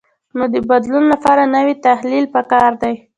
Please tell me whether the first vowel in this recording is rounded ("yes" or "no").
yes